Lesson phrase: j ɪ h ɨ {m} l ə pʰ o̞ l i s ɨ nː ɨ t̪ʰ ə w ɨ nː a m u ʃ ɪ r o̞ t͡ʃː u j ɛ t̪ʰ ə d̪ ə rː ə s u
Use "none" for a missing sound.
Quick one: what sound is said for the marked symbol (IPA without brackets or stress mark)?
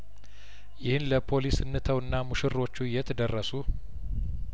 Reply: n